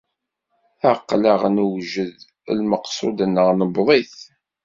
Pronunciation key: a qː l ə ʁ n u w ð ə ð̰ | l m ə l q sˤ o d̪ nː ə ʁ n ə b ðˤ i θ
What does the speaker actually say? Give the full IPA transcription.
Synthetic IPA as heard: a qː l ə ʁ n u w ʒ ə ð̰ | l m ə q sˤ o d̪ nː ə ʁ n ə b ðˤ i θ

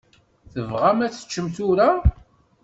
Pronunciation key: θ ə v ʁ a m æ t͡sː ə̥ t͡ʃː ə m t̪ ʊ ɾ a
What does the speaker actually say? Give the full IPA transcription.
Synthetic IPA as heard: θ ə v ʁ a m æ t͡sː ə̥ t͡ʃː ə m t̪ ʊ ɾ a

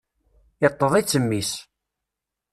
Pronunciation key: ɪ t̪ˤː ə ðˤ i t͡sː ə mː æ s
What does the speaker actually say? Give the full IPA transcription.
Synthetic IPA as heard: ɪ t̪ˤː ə ðˤ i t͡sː ə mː i s

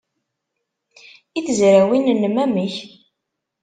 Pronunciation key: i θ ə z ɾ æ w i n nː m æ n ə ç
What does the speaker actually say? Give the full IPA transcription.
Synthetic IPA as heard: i θ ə z ɾ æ w i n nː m æ m ə ç

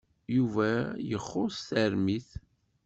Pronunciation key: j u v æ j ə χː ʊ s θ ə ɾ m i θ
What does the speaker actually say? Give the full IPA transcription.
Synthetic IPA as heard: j u v æ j ə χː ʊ s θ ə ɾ m i θ

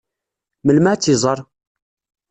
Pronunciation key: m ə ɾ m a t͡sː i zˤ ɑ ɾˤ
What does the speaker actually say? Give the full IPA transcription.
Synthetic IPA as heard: m ə l m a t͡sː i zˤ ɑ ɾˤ

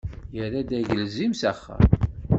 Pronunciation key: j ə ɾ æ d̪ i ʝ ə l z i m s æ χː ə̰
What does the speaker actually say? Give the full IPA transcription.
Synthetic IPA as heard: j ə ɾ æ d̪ æ ʝ ə l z i m s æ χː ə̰

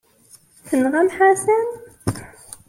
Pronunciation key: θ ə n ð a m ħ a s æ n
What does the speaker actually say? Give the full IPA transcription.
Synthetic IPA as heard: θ ə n ʁ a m ħ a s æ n

